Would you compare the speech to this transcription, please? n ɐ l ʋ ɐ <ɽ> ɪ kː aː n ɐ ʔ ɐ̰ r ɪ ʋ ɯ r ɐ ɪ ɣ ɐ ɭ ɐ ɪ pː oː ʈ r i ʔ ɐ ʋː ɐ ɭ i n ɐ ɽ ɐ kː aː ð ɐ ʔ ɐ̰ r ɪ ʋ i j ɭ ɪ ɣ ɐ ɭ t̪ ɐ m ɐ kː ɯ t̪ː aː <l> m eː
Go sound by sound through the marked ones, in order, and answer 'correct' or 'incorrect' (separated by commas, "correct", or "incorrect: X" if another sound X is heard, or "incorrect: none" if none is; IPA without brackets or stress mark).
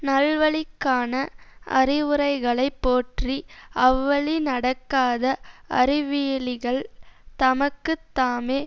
incorrect: ɭ, incorrect: none